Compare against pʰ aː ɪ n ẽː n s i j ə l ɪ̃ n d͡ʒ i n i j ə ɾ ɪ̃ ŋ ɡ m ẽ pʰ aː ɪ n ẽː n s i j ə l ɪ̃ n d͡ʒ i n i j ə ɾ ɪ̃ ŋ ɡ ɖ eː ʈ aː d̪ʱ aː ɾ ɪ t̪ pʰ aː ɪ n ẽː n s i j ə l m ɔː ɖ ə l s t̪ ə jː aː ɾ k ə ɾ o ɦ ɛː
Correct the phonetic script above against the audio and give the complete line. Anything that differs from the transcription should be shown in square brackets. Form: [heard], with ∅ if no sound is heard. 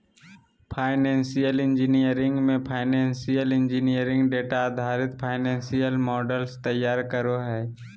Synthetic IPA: pʰ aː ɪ n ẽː n s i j ə l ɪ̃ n d͡ʒ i n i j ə ɾ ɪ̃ ŋ ɡ m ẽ pʰ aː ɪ n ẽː n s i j ə l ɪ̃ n d͡ʒ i n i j ə ɾ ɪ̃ ŋ ɡ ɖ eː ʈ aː d̪ʱ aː ɾ ɪ t̪ pʰ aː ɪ n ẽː n s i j ə l m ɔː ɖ ə l s t̪ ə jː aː ɾ k ə ɾ o ɦ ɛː